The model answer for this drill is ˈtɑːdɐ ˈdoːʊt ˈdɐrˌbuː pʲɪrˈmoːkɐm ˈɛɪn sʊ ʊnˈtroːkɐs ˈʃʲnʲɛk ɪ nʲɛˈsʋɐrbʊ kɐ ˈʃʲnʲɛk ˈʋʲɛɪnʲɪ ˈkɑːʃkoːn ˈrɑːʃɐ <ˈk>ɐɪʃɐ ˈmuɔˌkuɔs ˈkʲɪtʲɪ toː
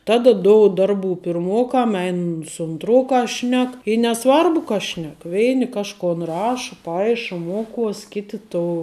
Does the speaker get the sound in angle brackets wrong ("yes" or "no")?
yes